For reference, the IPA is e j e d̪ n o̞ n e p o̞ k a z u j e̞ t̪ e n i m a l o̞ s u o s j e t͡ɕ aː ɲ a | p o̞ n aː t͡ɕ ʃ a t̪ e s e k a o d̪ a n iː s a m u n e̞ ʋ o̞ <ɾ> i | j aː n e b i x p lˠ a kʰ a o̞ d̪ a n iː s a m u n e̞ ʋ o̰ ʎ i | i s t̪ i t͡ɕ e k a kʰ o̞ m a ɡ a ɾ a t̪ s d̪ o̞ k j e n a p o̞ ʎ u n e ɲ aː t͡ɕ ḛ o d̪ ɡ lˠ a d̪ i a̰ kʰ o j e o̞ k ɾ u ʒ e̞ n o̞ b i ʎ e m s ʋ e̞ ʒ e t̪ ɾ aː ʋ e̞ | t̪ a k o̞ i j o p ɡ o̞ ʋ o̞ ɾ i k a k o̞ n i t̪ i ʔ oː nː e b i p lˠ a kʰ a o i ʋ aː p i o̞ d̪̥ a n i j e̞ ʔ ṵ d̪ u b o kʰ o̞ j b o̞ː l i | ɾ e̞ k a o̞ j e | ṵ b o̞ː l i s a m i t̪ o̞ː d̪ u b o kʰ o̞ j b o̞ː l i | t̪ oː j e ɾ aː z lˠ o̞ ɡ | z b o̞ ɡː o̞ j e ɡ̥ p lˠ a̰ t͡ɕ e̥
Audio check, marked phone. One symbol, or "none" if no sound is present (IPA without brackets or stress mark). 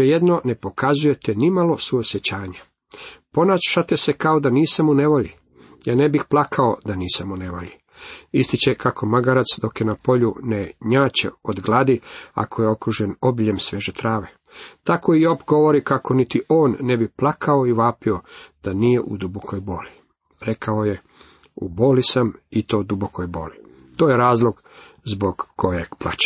ʎ